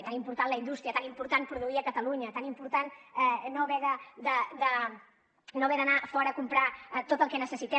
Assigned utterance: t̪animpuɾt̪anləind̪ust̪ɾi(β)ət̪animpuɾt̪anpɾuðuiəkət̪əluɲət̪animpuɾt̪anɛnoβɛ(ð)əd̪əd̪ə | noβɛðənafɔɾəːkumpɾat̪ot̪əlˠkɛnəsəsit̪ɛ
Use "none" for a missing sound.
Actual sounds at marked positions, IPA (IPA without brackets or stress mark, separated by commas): none, ð